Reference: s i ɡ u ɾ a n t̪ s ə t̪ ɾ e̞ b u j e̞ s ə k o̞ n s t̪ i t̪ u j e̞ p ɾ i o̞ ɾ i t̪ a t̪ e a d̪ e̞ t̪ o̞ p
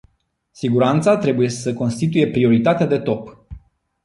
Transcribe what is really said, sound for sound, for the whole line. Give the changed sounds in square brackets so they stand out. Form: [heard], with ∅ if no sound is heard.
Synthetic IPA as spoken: s i ɡ u ɾ a n t̪ s [a] t̪ ɾ e̞ b u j e̞ s ə k o̞ n s t̪ i t̪ u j e̞ p ɾ i o̞ ɾ i t̪ a t̪ e a d̪ e̞ t̪ o̞ p